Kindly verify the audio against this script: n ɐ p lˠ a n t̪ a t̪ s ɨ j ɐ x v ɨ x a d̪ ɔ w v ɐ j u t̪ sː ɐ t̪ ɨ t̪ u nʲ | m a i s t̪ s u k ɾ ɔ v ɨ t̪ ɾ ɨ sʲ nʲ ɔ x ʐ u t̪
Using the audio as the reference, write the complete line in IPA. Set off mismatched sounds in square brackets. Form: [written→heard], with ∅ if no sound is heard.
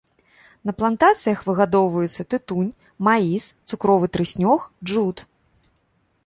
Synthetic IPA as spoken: n ɐ p lˠ a n t̪ a t̪ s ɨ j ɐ x v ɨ [x→ɣ] a d̪ ɔ w v ɐ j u t̪ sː ɐ t̪ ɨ t̪ u nʲ | m a i s t̪ s u k ɾ ɔ v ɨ t̪ ɾ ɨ sʲ nʲ ɔ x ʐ u t̪